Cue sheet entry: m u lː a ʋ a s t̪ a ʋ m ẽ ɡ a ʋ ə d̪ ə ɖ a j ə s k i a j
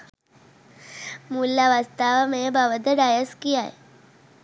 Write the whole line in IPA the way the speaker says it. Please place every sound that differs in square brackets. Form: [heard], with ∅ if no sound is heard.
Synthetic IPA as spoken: m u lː a ʋ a s t̪ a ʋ m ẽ [b] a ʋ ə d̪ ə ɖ a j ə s k i a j